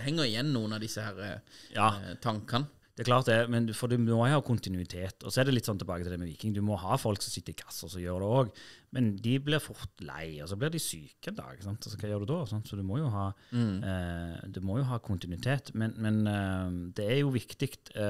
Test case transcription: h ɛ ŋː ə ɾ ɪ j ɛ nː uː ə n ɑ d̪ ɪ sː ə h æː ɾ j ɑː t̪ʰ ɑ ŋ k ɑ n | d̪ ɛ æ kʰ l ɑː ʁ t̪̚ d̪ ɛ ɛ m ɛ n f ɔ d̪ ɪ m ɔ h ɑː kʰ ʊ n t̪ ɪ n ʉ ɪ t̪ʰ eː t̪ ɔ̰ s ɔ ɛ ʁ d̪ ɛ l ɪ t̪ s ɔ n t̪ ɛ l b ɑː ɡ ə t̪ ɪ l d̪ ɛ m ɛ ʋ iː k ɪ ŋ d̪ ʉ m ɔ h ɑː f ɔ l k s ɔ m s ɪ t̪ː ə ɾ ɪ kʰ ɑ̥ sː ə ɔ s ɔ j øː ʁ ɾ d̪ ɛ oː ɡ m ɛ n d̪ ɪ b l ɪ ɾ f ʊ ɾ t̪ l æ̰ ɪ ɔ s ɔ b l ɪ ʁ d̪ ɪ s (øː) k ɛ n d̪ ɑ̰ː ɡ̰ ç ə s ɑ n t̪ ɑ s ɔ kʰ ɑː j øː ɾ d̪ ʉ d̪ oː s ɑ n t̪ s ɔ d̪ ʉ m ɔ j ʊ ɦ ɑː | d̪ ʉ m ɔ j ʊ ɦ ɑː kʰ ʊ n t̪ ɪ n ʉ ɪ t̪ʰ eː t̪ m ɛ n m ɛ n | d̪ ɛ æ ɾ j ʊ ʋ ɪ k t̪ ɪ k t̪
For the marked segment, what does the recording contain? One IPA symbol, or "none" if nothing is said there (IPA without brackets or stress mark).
yː